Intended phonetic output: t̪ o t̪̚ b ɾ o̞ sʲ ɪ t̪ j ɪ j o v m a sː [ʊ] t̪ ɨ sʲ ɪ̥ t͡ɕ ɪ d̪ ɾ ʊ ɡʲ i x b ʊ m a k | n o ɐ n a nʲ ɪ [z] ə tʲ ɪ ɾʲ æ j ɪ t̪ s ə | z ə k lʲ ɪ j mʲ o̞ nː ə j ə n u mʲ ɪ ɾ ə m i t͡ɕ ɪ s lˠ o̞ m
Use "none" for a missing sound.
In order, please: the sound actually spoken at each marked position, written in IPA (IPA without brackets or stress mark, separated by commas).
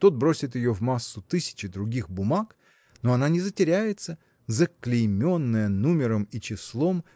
ʊ, z